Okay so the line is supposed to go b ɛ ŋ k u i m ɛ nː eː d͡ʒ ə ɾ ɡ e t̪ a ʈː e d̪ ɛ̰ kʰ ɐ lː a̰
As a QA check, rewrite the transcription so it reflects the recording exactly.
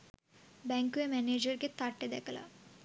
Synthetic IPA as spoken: b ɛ ŋ k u e m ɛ n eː d͡ʒ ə ɾ k e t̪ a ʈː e d̪ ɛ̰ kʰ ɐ l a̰

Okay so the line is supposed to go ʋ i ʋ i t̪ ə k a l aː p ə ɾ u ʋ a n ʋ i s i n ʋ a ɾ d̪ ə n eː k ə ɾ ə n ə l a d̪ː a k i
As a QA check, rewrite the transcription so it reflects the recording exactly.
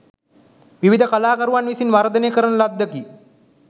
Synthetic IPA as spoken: ʋ i ʋ i d̪ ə k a l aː k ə ɾ u ʋ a n ʋ i s i n ʋ a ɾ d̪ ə n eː k ə ɾ ə n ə l a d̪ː ə k i

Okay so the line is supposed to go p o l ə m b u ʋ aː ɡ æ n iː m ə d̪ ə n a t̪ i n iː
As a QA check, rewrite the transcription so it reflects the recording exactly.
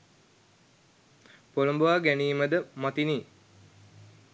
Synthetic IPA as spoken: p o l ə m b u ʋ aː ɡ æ n iː m ə d̪ ə m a t̪ i n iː

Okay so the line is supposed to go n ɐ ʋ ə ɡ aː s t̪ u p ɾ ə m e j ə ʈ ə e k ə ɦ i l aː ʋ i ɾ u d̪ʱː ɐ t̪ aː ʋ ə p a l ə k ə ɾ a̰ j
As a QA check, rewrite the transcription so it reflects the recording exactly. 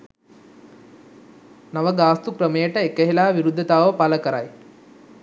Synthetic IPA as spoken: n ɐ ʋ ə ɡ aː s t̪ u k ɾ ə m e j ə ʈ ə e k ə ɦ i l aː ʋ i ɾ u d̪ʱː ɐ t̪ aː ʋ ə p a l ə k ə ɾ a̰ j

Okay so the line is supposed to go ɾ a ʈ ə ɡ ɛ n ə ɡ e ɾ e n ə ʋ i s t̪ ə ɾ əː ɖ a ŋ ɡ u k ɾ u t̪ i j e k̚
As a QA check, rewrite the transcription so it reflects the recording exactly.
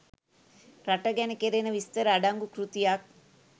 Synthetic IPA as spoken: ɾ a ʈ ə ɡ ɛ n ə k e ɾ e n ə ʋ i s t̪ ə ɾ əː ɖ a ŋ ɡ u k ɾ u t̪ i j a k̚

